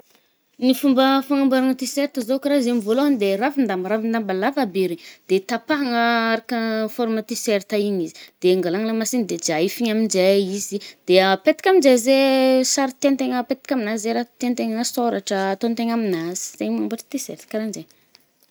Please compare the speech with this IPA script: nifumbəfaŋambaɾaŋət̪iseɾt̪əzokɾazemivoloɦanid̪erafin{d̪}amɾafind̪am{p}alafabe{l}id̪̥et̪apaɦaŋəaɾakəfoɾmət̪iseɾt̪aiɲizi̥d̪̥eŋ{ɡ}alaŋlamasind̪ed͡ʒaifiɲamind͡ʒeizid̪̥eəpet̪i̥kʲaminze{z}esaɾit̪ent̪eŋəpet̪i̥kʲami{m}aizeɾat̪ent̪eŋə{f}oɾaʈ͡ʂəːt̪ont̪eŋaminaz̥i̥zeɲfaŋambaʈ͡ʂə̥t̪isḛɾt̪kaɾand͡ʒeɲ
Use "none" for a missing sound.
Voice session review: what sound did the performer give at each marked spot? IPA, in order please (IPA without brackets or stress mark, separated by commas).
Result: d̪, b, ɾ, ɡ, z, n, s